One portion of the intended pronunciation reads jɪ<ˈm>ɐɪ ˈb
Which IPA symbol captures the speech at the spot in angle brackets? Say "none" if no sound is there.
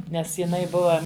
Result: n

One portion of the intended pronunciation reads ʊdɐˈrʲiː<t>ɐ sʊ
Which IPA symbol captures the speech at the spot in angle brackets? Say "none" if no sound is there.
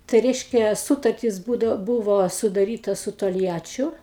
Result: t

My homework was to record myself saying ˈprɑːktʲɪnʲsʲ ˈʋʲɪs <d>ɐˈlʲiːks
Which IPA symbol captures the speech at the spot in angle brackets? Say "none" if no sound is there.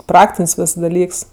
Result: d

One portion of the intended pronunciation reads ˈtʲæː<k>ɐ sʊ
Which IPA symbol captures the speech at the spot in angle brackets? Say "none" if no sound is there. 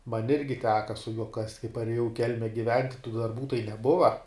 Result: k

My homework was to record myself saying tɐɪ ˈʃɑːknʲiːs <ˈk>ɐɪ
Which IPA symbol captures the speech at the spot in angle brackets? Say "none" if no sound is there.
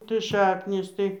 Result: t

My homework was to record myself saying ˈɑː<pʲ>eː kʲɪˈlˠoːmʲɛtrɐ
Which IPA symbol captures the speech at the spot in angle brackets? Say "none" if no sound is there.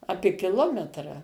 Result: pʲ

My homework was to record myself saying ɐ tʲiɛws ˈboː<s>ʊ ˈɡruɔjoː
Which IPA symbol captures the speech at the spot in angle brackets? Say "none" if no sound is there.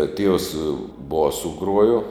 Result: s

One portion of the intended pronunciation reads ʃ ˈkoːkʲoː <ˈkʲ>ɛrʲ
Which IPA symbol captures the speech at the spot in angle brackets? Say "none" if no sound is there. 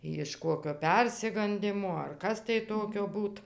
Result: pʲ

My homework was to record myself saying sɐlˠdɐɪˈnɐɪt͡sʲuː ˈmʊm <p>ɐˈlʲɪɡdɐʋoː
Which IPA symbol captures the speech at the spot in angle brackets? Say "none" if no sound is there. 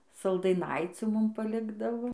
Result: p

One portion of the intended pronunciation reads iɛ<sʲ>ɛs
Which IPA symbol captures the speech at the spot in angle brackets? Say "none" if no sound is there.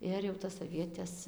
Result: tʲ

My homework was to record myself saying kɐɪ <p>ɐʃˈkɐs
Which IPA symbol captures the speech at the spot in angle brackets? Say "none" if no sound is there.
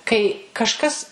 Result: k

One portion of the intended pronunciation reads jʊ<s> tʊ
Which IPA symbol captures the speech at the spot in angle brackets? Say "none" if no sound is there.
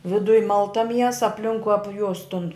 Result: s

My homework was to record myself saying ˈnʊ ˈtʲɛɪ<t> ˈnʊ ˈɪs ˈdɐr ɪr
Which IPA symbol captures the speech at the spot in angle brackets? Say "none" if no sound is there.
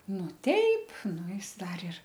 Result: p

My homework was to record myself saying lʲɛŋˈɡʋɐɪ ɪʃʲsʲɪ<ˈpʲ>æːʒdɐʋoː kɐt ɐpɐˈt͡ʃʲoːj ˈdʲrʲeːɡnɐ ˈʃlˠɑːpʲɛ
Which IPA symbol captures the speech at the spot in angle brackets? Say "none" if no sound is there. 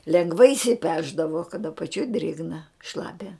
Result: pʲ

